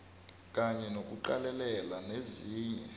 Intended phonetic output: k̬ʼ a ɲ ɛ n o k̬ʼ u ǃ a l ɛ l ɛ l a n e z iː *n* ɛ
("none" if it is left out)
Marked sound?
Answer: ɲ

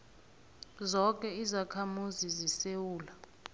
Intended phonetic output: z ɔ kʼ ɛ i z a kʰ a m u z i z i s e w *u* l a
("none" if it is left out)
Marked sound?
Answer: uː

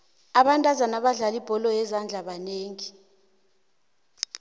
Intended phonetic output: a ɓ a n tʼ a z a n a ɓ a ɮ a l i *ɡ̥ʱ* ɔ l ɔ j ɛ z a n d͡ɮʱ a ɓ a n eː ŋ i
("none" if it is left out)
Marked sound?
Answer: b̥ʱ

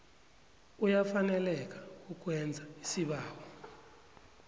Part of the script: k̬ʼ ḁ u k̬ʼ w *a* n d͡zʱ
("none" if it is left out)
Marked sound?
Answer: ɛ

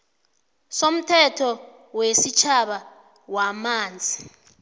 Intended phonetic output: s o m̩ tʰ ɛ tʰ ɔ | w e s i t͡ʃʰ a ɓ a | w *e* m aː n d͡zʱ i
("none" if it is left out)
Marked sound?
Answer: a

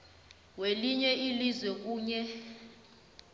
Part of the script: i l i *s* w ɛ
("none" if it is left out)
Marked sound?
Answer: z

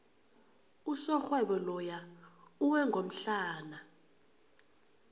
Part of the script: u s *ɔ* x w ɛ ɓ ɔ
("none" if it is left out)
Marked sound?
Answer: ɔ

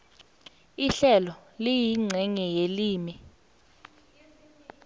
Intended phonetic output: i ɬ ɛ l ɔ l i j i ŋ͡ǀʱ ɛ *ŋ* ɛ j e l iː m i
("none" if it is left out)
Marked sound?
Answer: ŋ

